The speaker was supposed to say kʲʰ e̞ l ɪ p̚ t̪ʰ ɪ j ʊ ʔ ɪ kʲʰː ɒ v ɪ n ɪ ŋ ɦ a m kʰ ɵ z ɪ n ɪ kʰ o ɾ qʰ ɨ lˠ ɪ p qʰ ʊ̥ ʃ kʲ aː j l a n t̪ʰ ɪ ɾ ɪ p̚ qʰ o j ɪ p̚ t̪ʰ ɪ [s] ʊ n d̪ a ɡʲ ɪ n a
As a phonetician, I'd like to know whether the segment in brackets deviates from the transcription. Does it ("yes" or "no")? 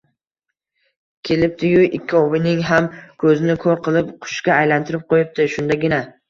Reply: yes